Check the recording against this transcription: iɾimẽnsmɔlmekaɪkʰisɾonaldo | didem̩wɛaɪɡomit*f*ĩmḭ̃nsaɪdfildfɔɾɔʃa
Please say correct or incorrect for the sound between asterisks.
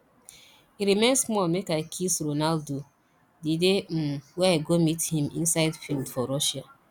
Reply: incorrect